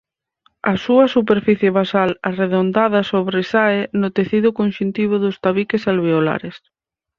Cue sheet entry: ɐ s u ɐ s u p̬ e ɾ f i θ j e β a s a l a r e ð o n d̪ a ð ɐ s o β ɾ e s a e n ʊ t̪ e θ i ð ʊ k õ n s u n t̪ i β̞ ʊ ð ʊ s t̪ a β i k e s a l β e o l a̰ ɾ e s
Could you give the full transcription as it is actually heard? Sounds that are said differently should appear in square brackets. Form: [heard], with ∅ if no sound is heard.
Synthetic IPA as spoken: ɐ s u ɐ s u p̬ e ɾ f i θ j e β a s a l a r e ð o n d̪ a ð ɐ s o β ɾ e s a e n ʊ t̪ e θ i ð ʊ k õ n [ʃ] u n t̪ i β̞ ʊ ð ʊ s t̪ a β i k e s a l β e o l a̰ ɾ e s